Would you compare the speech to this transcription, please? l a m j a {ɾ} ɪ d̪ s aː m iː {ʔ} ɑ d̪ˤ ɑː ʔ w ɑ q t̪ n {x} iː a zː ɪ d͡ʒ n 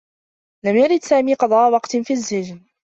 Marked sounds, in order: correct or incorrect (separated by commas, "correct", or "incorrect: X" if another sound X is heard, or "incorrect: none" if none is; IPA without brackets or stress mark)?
correct, incorrect: q, incorrect: f